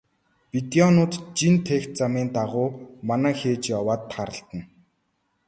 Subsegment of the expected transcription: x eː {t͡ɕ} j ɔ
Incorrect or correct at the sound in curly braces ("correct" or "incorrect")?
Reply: correct